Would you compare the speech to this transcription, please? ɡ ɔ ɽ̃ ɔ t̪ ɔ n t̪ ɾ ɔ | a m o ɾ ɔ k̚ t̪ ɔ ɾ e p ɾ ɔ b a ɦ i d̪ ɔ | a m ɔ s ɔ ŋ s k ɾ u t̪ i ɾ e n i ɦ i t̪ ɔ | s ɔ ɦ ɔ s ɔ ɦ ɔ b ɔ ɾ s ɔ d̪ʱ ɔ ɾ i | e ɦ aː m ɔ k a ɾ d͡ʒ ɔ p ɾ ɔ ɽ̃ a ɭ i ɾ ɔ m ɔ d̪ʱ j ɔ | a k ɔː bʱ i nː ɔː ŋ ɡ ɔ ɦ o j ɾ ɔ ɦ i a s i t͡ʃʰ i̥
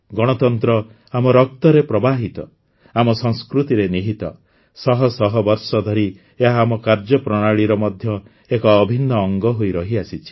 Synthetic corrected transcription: ɡ ɔ ɽ̃ ɔ t̪ ɔ n t̪ ɾ ɔ | a m ɔ ɾ ɔ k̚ t̪ ɔ ɾ e p ɾ ɔ b a ɦ i t̪ ɔ | a m ɔ s ɔ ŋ s k ɾ u t̪ i ɾ e n i ɦ i t̪ ɔ | s ɔ ɦ ɔ s ɔ ɦ ɔ b ɔ ɾ s ɔ d̪ʱ ɔ ɾ i | e ɦ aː m ɔ k a ɾ d͡ʒ ɔ p ɾ ɔ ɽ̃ a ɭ i ɾ ɔ m ɔ d̪ʱ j ɔ | e k ɔː bʱ i nː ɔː ŋ ɡ ɔ ɦ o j ɾ ɔ ɦ i a s i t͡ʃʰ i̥

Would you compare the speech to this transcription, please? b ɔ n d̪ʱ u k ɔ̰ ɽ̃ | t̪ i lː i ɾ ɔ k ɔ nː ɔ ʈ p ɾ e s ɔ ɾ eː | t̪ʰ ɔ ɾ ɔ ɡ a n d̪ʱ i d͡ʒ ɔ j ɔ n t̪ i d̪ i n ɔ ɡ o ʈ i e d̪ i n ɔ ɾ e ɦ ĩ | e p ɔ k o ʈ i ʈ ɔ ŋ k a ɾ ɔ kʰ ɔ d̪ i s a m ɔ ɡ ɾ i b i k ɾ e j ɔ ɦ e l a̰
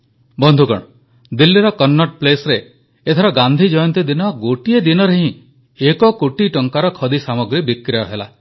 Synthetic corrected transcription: b ɔ n d̪ʱ u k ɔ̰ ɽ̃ | d̪ i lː i ɾ ɔ k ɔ nː ɔ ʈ p l e s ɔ ɾ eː | t̪ʰ ɔ ɾ ɔ ɡ a n d̪ʱ i d͡ʒ ɔ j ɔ n t̪ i d̪ i n ɔ ɡ o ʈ i e d̪ i n ɔ ɾ e ɦ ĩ | e k ɔ k o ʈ i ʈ ɔ ŋ k a ɾ ɔ kʰ ɔ d̪ i s a m ɔ ɡ ɾ i b i k ɾ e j ɔ ɦ e l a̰

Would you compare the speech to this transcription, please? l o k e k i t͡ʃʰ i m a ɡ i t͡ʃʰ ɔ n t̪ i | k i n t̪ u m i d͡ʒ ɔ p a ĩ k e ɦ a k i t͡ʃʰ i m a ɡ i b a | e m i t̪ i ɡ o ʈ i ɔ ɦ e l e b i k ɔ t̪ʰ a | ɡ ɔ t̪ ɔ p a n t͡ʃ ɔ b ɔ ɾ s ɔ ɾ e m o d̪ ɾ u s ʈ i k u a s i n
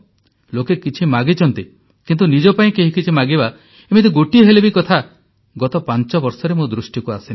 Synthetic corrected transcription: l o k e k i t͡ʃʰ i m a ɡ i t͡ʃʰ ɔ n t̪ i | k i n t̪ u n i d͡ʒ ɔ p a ĩ k e ɦ i k i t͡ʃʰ i m a ɡ i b a | e m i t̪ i ɡ o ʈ i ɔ ɦ e l e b i k ɔ t̪ʰ a | ɡ ɔ t̪ ɔ p a n t͡ʃ ɔ b ɔ ɾ s ɔ ɾ e m o d̪ ɾ u s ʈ i k u a s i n

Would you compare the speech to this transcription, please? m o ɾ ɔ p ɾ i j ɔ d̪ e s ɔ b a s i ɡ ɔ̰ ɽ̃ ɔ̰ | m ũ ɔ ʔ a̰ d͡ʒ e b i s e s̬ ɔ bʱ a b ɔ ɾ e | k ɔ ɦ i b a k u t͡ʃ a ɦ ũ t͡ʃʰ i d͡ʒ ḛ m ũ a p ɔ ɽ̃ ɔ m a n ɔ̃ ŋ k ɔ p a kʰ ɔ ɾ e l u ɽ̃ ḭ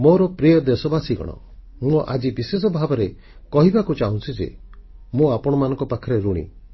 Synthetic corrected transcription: m o ɾ ɔ p ɾ i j ɔ d̪ e s ɔ b a s i ɡ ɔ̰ ɽ̃ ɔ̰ | m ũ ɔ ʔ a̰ d͡ʒ i b i s e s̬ ɔ bʱ a b ɔ ɾ e | k ɔ ɦ i b a k u t͡ʃ a ɦ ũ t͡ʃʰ i d͡ʒ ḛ m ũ a p ɔ ɽ̃ ɔ m a n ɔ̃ ŋ k ɔ p a kʰ ɔ ɾ e ɾ u ɽ̃ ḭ

